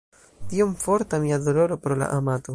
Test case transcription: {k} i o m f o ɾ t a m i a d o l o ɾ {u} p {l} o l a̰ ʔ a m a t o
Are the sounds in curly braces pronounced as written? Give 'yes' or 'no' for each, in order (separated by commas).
no, no, no